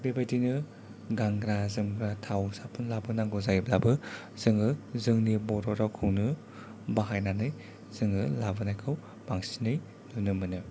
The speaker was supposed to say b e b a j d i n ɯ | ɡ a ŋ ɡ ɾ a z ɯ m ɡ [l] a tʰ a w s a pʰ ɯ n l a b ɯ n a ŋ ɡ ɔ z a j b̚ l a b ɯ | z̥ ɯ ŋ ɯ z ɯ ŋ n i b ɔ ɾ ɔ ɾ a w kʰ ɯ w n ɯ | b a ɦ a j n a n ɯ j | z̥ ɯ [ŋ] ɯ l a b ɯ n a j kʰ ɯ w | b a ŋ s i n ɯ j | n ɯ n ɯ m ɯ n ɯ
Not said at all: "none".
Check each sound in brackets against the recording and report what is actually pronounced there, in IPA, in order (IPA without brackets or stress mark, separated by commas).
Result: ɾ, ŋ